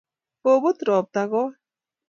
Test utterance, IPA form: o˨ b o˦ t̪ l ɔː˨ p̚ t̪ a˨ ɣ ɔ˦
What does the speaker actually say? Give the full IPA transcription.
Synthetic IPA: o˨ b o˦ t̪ ɾ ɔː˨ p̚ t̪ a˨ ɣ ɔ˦